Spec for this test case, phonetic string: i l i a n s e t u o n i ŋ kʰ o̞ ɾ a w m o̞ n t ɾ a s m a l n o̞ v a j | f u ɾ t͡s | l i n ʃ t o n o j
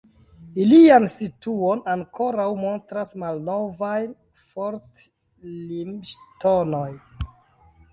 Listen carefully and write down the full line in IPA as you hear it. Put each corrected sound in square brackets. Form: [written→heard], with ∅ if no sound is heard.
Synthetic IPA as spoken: i l i a n s [e→i] t u o n [i→a] ŋ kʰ o̞ ɾ a w m o̞ n t ɾ a s m a l n o̞ v a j | f [u→o] ɾ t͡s | l i [n→m] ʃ t o n o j